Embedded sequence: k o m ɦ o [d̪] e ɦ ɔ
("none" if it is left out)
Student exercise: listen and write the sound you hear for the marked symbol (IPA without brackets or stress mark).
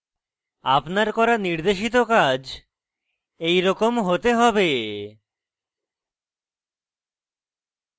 t̪